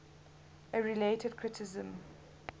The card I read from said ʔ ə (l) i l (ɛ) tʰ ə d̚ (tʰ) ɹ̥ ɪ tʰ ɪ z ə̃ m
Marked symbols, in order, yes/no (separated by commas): no, no, no